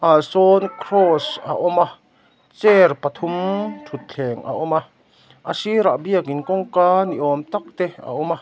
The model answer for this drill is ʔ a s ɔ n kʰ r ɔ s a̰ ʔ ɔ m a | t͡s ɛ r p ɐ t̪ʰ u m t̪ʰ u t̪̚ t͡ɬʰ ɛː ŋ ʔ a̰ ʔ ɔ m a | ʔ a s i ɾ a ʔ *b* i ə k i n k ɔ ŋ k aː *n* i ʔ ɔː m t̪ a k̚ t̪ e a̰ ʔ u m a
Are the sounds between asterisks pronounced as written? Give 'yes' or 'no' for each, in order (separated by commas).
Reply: yes, yes